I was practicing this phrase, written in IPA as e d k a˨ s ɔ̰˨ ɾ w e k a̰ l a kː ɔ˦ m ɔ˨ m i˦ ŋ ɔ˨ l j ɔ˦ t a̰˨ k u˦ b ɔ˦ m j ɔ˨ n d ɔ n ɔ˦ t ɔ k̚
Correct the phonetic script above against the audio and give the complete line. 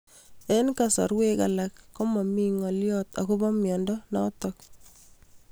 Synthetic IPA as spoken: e n k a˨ s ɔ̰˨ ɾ w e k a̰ l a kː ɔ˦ m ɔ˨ m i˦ ŋ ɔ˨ l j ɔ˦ t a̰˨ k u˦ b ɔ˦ m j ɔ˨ n d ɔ n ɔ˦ t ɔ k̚